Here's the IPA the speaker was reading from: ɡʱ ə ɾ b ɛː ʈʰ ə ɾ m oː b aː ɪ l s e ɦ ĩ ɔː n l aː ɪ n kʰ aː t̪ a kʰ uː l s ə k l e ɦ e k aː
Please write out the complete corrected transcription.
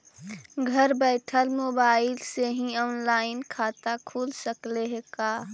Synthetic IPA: ɡʱ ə ɾ b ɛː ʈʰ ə l m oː b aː ɪ l s e ɦ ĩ ɔː n l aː ɪ n kʰ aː t̪ a kʰ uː l s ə k l e ɦ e k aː